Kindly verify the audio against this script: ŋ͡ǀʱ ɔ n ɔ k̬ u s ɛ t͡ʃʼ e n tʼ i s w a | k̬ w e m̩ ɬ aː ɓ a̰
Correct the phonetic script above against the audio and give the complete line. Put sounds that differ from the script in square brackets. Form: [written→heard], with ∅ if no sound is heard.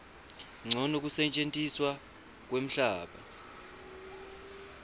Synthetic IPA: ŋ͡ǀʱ ɔ n [ɔ→o] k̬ u s ɛ t͡ʃʼ e n tʼ i s w a | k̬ w e m̩ ɬ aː ɓ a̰